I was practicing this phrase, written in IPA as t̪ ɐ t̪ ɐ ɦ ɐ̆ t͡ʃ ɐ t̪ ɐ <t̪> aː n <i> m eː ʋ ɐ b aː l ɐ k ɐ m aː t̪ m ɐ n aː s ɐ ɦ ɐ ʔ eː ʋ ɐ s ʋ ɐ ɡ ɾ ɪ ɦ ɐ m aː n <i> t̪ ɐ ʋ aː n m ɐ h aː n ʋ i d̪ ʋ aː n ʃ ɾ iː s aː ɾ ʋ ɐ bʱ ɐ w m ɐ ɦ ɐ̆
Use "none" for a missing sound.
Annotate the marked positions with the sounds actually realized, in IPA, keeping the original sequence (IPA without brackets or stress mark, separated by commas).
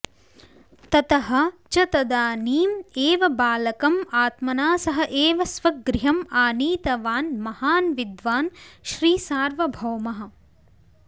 d̪, iː, iː